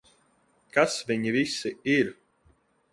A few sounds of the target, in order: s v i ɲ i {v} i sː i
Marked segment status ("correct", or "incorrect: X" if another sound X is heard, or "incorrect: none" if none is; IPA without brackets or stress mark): correct